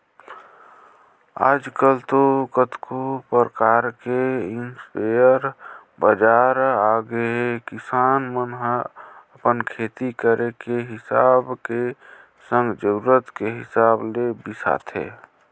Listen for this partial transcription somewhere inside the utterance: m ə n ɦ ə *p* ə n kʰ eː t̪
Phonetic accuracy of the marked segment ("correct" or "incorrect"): correct